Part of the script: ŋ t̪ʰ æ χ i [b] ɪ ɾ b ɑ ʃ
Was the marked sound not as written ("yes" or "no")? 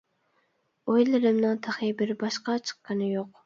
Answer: no